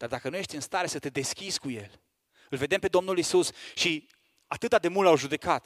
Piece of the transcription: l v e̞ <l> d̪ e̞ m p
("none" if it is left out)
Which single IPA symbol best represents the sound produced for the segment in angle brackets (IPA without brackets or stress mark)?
none